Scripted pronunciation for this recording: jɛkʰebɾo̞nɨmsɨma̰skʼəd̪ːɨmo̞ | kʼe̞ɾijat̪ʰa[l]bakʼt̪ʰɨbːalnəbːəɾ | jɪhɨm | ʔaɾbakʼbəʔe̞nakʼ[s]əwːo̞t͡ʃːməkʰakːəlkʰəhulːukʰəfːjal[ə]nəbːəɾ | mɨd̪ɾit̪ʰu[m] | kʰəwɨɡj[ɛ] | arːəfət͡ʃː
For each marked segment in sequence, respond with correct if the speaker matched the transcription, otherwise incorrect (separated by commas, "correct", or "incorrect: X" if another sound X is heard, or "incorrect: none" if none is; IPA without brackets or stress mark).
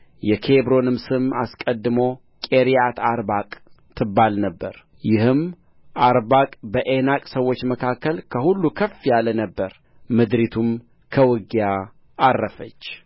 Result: incorrect: ɾ, correct, correct, correct, incorrect: a